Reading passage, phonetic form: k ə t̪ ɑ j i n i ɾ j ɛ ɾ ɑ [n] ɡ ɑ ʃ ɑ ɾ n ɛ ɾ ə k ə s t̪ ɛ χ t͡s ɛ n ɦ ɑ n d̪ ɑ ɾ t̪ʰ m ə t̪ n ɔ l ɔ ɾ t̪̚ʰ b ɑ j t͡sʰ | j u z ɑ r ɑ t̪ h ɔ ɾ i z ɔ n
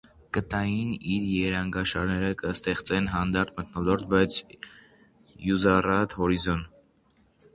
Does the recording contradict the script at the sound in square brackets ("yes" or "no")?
yes